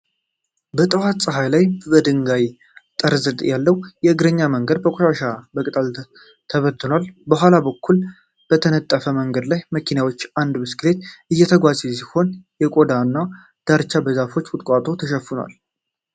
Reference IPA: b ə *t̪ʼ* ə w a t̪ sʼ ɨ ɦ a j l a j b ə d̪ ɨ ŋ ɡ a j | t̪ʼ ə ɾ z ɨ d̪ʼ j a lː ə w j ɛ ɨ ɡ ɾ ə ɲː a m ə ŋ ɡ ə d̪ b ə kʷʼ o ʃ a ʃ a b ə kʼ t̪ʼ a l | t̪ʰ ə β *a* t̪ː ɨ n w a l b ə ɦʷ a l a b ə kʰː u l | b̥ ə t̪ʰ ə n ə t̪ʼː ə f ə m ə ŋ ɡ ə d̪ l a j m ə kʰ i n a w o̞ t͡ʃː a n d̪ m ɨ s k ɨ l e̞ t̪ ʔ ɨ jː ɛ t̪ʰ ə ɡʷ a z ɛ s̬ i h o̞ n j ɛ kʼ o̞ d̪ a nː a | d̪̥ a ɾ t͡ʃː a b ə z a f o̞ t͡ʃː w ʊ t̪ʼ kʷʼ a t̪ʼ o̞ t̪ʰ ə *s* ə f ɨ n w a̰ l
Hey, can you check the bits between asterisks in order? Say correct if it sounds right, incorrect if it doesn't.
correct, incorrect, incorrect

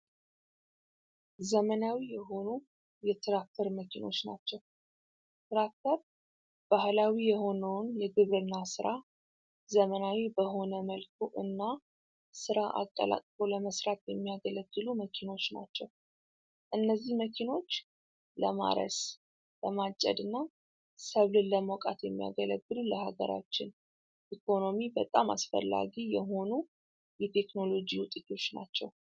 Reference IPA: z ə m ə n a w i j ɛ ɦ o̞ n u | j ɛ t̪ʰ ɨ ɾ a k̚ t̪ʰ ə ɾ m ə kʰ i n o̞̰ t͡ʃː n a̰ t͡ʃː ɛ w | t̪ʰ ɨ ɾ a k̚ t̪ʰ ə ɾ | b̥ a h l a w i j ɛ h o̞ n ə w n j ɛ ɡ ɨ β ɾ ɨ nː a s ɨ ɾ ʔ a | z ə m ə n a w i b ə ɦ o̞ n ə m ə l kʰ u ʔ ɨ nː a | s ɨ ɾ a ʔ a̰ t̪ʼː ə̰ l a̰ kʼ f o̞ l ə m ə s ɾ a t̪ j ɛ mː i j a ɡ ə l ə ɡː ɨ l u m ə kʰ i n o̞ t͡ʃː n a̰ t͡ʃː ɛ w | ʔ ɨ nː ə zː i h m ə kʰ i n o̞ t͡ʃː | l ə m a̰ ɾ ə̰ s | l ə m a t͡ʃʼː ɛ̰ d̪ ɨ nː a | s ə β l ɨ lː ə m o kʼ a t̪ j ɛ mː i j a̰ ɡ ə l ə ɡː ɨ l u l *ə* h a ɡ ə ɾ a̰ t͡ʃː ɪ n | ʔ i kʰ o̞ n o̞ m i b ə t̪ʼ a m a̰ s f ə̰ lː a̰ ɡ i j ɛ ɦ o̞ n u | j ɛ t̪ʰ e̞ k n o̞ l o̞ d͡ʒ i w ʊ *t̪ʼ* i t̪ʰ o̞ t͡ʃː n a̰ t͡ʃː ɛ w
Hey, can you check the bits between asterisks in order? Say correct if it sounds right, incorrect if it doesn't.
correct, correct

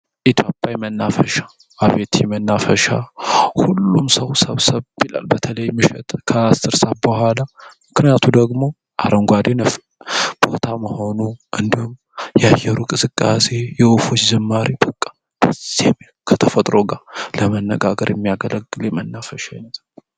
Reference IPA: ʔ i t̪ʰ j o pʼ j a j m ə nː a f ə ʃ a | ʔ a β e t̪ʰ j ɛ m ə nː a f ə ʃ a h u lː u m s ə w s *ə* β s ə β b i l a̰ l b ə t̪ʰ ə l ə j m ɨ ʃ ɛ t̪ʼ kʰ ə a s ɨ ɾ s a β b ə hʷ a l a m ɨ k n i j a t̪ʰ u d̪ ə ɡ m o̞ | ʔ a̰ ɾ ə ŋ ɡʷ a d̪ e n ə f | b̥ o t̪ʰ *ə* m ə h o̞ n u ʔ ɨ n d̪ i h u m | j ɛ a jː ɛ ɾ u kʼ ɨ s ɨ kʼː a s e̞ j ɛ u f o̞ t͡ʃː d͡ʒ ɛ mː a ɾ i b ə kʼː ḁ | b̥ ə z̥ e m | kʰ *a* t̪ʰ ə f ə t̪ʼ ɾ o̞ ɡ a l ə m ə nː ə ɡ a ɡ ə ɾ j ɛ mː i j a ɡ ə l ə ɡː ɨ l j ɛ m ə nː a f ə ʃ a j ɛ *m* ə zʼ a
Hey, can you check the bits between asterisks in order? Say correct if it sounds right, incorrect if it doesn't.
correct, incorrect, incorrect, incorrect

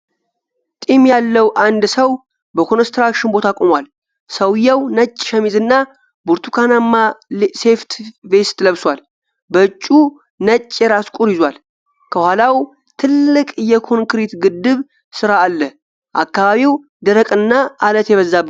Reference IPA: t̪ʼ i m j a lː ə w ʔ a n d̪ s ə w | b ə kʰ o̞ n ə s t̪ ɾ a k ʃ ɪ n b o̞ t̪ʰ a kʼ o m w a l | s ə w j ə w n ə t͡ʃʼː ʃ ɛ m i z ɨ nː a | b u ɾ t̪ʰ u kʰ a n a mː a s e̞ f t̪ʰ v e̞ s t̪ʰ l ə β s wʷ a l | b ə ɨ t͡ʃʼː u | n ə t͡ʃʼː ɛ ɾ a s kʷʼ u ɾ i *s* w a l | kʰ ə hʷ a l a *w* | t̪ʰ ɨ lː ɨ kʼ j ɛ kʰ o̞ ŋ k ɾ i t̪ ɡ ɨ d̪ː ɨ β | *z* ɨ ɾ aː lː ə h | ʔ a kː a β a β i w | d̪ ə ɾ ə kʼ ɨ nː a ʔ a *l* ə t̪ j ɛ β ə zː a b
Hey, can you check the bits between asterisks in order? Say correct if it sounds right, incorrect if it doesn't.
incorrect, correct, incorrect, correct

